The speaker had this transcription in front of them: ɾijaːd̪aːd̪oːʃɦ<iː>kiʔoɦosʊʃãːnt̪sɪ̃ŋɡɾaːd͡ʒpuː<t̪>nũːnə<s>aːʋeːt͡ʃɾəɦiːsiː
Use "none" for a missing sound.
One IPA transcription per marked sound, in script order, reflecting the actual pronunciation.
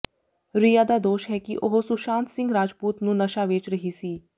ɛː, t̪, ʃ

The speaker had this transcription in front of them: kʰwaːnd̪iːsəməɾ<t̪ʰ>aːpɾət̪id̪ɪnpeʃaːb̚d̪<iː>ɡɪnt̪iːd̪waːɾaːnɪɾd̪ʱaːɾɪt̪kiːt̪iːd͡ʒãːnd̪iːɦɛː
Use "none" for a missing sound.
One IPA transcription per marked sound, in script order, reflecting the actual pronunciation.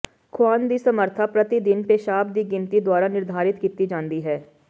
t̪ʰ, iː

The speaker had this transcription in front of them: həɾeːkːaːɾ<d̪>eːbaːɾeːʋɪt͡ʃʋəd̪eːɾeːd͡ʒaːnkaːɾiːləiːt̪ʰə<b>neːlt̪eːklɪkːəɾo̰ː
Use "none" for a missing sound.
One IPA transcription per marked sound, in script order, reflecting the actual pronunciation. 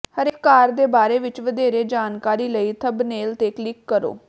d̪, b

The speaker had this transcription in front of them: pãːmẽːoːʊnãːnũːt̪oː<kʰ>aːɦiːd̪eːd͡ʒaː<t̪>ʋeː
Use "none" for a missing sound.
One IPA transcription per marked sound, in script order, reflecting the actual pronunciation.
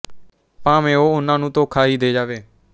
kʰ, none

